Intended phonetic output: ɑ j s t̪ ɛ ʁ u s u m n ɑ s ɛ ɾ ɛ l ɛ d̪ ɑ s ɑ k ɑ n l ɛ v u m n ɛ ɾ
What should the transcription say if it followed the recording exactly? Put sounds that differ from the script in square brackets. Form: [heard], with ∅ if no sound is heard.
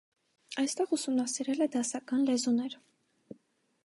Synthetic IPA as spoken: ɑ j s t̪ ɛ ʁ u s u m n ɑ s [i] ɾ ɛ l ɛ d̪ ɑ s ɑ k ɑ n l ɛ [z] u [∅] n ɛ ɾ